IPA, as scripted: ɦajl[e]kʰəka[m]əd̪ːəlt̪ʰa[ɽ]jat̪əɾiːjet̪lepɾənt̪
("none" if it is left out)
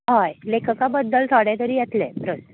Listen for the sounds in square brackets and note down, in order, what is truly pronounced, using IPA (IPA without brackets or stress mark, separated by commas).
e, b, ɽ